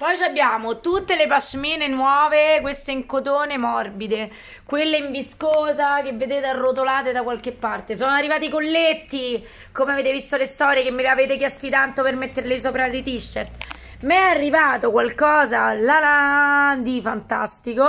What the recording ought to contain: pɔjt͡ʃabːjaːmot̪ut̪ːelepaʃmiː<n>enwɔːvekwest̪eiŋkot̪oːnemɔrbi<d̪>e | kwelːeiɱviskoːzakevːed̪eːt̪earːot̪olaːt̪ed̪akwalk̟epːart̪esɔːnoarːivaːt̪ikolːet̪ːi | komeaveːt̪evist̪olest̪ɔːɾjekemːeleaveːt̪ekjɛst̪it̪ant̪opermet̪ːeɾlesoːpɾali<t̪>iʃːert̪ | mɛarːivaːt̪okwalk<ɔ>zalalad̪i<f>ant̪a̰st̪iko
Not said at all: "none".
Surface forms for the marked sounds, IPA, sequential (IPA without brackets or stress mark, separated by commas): n, d̪, t̪, ɔː, f